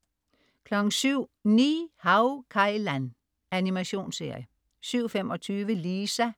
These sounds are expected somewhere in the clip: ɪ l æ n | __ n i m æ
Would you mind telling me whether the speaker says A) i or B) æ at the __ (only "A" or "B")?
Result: B